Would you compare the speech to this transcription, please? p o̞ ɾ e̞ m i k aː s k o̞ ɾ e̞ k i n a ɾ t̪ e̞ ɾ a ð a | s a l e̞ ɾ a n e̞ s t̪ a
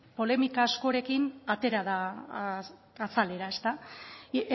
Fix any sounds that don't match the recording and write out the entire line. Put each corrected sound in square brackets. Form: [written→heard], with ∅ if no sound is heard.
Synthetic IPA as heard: p o̞ [ɾ→l] e̞ m i k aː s k o̞ ɾ e̞ k i n a [ɾ→∅] t̪ e̞ ɾ a ð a | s a l e̞ ɾ a [n→∅] e̞ s t̪ a